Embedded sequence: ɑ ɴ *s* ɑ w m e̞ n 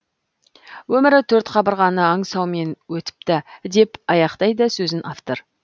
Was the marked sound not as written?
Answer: no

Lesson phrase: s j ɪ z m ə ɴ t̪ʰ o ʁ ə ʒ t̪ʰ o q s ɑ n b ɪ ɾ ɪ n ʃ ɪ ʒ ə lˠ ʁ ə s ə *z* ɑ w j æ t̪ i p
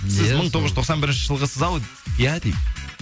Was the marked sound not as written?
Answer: no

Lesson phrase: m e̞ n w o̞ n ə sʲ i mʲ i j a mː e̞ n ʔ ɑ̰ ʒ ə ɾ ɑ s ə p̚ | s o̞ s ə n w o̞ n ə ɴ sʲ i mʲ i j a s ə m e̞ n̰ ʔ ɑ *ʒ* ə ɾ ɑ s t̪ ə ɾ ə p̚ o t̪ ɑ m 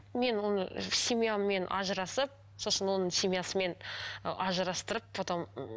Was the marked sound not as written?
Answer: no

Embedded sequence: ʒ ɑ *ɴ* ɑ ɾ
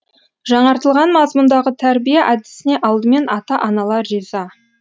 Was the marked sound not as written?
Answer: no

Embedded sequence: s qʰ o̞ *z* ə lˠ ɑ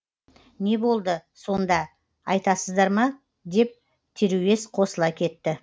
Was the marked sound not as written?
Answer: yes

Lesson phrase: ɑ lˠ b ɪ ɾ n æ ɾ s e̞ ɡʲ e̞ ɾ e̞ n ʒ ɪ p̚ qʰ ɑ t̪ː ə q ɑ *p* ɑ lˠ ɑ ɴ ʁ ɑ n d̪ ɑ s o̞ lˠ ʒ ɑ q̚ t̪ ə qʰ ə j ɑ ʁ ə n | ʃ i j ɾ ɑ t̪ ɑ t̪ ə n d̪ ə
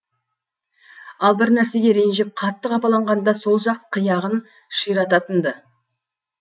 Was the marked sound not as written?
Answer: no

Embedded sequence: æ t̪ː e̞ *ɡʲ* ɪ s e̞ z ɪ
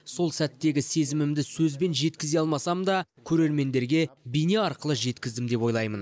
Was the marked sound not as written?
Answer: no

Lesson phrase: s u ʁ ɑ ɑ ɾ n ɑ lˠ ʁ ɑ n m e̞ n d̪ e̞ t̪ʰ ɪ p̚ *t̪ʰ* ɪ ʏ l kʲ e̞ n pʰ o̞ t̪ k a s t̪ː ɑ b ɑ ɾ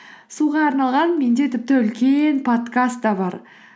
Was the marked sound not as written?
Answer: yes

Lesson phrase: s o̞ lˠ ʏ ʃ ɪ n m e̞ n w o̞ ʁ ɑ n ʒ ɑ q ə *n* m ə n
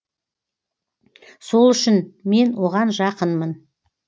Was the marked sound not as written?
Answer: no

